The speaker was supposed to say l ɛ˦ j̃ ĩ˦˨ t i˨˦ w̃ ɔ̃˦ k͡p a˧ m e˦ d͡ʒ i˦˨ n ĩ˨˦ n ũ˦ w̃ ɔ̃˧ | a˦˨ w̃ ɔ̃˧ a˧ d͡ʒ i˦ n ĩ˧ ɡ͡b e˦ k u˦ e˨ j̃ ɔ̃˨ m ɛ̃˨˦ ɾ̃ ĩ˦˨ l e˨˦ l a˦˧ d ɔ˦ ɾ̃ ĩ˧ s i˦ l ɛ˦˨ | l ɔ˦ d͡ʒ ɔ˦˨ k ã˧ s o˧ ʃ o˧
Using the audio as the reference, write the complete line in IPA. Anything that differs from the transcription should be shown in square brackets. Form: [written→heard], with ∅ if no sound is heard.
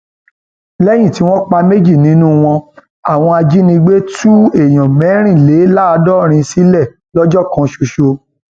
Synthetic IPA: l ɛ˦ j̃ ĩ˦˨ t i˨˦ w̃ ɔ̃˦ k͡p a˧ m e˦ d͡ʒ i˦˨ n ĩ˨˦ n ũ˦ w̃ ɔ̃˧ | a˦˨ w̃ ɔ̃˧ a˧ d͡ʒ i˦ n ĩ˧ ɡ͡b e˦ [k→t] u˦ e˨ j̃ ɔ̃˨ m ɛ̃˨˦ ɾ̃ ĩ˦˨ l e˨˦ l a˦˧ d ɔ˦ ɾ̃ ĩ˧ s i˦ l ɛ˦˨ | l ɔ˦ d͡ʒ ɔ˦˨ k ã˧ [s→ʃ] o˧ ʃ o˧